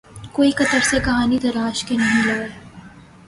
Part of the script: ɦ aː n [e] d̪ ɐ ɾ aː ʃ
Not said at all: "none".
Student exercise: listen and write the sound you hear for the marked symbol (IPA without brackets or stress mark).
i